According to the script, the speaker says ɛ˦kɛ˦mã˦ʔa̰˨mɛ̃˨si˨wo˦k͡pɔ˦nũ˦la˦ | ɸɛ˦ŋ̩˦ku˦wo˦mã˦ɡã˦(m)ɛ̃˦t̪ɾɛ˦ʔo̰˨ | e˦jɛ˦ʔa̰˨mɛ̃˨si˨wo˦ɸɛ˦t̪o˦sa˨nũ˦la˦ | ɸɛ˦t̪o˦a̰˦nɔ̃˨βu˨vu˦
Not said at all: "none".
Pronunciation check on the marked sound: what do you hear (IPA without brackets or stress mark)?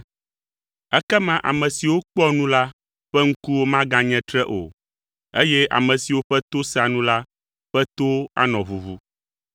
ɲ